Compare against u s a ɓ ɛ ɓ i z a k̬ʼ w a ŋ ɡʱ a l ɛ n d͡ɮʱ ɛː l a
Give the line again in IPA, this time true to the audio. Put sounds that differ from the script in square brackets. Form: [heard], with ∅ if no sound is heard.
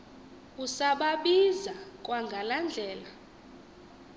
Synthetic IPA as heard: u s a ɓ [a] ɓ i z a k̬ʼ w a ŋ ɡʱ a l [a] n d͡ɮʱ ɛː l a